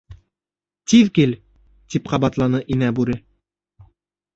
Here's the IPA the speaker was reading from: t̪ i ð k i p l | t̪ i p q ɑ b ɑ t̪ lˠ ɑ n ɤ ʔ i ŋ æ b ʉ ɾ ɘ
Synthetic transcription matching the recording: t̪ i ð k i l | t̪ i p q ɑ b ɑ t̪ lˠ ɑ n ɤ ʔ i n æ b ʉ ɾ ɘ